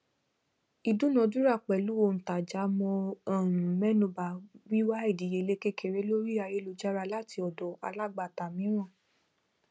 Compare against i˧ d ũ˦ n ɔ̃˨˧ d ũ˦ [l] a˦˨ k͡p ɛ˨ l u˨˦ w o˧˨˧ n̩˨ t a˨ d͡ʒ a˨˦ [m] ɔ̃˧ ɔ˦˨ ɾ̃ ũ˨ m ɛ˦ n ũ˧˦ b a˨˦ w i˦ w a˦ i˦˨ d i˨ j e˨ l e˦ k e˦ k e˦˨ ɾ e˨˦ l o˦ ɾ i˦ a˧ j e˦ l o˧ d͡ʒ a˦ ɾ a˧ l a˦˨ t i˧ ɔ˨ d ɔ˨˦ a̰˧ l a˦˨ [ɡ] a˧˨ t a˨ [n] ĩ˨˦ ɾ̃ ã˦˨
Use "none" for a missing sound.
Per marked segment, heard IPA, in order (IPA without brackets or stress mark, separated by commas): ɾ, m, ɡ͡b, m